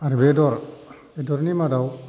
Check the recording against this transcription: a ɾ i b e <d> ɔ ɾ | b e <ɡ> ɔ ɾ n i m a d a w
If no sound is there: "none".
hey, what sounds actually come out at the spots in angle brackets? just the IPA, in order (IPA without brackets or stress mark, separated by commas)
d, d